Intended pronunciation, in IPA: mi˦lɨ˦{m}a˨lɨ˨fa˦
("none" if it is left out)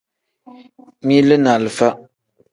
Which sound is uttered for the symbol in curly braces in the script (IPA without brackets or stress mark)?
n